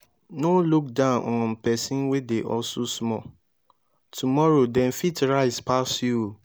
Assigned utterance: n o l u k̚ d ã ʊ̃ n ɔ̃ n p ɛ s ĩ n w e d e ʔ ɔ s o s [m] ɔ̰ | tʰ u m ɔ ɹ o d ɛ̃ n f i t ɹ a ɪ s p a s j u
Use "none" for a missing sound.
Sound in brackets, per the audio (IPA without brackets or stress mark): m